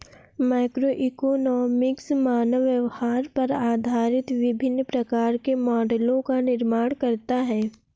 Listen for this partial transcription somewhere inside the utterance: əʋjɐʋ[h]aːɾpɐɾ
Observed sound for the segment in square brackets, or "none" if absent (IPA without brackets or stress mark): h